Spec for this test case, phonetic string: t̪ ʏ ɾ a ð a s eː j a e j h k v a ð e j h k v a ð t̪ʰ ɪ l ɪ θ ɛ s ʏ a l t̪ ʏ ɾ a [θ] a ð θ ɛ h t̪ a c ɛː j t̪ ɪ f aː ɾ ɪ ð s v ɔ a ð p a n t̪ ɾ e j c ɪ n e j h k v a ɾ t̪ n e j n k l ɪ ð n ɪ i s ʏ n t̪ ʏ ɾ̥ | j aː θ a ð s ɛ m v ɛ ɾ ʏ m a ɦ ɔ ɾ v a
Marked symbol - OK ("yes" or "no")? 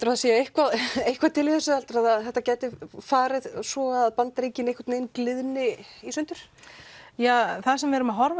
no